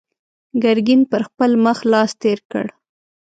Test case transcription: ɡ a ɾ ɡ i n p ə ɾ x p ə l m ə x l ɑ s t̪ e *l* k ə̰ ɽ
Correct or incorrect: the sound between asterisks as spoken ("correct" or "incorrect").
incorrect